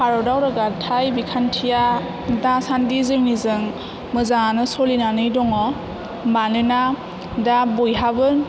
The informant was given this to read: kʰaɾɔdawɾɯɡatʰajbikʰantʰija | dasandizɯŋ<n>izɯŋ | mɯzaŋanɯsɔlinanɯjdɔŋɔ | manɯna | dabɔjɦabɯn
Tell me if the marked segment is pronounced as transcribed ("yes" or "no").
yes